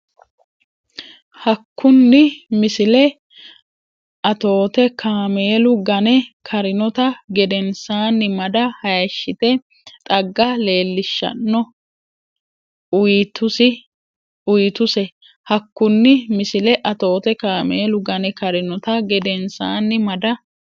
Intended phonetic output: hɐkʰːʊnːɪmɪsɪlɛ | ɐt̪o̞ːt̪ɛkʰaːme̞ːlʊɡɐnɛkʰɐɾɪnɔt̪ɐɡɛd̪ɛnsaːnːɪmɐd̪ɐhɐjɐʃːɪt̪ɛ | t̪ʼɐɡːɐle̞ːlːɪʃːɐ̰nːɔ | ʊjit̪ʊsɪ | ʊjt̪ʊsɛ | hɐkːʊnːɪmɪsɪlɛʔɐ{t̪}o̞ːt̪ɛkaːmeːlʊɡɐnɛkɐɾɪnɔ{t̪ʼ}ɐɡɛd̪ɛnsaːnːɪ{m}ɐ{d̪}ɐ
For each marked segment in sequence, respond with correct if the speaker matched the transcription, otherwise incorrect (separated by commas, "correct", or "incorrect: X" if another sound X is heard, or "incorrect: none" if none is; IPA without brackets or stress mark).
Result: correct, incorrect: t̪, correct, correct